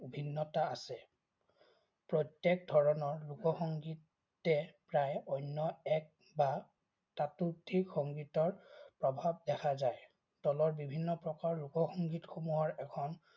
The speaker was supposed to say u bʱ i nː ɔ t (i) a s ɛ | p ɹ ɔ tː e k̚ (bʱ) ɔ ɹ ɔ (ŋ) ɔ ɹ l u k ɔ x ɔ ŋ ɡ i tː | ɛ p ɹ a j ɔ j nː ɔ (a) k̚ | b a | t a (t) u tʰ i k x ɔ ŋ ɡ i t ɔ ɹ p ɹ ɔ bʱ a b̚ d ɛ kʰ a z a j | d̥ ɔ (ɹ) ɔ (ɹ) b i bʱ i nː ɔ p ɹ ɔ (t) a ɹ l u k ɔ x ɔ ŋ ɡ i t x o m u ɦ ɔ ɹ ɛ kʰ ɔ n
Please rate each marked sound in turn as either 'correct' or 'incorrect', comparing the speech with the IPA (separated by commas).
incorrect, incorrect, incorrect, incorrect, correct, incorrect, correct, incorrect